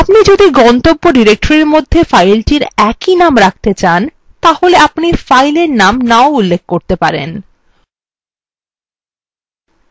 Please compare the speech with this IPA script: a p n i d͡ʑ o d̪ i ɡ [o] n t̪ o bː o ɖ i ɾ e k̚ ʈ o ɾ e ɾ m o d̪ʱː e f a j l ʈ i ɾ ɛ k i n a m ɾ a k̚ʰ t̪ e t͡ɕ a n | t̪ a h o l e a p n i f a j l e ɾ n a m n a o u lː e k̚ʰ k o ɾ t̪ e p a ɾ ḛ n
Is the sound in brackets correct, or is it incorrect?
incorrect